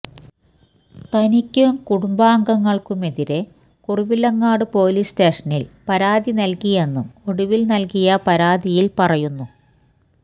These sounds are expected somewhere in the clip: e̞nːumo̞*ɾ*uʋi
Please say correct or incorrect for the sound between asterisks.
incorrect